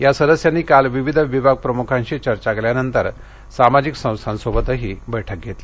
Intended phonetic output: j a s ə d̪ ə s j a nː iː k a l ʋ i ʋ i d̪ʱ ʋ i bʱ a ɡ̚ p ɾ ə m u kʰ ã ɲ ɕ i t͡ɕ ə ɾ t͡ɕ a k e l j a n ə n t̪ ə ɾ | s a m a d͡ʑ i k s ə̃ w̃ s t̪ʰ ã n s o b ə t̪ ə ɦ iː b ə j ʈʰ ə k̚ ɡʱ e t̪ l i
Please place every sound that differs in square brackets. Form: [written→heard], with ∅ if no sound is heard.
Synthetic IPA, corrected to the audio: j a s ə d̪ ə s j a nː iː k a l ʋ i ʋ i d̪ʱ ʋ i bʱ a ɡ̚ p ɾ ə m u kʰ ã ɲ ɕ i t͡ɕ ə ɾ t͡ɕ a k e l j a n ə n t̪ ə ɾ | s a m a d͡ʑ i k s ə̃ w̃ s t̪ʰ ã n s o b ə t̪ ə ɦ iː b ə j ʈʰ ə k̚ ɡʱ e t̪ l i